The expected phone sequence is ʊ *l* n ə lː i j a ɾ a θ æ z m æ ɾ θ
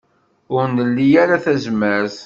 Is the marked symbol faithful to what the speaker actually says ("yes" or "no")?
no